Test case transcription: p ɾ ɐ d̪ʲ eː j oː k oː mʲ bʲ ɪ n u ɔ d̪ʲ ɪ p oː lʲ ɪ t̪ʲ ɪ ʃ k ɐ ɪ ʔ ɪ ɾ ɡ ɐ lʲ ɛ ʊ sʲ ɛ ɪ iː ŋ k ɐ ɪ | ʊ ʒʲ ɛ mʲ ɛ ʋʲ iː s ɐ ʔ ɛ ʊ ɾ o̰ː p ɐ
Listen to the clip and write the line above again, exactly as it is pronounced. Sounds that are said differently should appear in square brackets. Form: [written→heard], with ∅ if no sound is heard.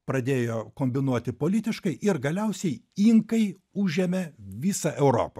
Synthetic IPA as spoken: p ɾ ɐ d̪ʲ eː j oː k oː mʲ bʲ ɪ n u ɔ [d̪ʲ→t̪ʲ] ɪ p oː lʲ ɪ t̪ʲ ɪ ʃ k ɐ ɪ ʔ ɪ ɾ ɡ ɐ lʲ ɛ ʊ sʲ ɛ ɪ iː ŋ k ɐ ɪ | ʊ ʒʲ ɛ mʲ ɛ ʋʲ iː s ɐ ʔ ɛ ʊ ɾ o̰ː p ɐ